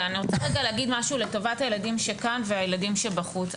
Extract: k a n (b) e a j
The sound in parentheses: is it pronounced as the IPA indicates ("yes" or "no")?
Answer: no